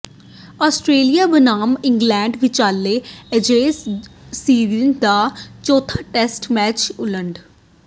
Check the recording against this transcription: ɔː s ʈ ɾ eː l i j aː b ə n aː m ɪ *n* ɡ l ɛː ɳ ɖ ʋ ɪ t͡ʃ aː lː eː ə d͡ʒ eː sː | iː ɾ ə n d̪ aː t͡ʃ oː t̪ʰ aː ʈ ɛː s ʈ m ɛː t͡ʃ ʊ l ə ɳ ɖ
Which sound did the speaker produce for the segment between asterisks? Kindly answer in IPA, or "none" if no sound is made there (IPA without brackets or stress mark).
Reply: ŋ